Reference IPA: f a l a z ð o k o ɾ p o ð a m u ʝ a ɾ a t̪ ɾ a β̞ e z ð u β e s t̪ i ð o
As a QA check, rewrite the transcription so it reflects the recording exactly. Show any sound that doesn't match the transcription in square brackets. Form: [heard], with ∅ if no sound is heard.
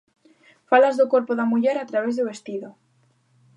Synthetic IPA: f a l a z ð o k o ɾ p o ð a m u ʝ [e] ɾ a t̪ ɾ a β̞ e z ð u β e s t̪ i ð o